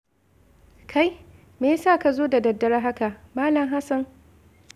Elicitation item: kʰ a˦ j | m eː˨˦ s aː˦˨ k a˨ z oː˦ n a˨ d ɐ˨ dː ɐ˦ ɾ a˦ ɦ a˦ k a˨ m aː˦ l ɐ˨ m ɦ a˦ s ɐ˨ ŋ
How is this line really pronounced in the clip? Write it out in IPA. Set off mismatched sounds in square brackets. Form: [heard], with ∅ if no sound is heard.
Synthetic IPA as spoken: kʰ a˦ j | m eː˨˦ s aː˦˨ k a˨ z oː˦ [d] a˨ d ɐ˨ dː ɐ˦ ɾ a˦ ɦ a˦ k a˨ m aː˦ l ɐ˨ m ɦ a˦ s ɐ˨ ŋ

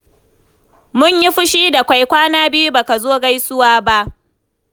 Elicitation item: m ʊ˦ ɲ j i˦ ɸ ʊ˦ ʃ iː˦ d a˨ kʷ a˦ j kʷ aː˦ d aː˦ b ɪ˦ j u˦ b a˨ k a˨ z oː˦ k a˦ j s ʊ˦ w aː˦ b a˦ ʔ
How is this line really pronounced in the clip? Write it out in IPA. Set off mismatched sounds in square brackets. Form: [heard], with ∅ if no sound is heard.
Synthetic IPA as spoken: m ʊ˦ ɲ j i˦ ɸ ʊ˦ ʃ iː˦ d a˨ kʷ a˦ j kʷ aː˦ [n] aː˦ b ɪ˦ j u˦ b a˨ k a˨ z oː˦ [ɡ] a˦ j s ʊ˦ w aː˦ b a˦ ʔ

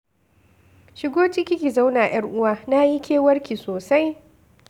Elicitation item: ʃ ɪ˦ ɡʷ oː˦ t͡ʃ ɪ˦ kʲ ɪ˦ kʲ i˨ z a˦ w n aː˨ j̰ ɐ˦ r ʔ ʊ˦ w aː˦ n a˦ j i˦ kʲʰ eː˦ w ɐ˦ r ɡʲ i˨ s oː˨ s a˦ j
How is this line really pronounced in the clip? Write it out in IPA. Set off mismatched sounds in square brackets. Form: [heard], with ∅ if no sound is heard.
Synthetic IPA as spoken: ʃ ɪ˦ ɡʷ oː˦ t͡ʃ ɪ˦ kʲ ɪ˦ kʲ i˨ z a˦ w n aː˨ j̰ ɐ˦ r ʔ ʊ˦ w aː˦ n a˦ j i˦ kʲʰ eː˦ w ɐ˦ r [kʲ] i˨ s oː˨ s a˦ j

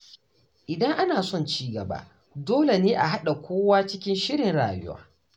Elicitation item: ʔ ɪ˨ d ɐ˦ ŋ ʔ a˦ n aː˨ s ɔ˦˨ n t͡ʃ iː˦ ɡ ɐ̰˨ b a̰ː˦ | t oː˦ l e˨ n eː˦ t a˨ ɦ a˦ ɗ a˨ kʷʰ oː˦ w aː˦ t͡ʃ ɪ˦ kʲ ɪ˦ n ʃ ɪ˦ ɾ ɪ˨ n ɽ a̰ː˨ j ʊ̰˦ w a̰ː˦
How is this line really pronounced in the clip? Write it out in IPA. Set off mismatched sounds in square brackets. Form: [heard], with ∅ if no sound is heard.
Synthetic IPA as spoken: ʔ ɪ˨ d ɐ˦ ŋ ʔ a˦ n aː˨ s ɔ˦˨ n t͡ʃ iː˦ ɡ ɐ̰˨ b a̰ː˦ | [d] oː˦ l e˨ n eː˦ [ʔ] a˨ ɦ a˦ ɗ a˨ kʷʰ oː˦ w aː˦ t͡ʃ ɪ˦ kʲ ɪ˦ n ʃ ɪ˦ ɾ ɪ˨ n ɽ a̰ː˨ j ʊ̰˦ w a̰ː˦

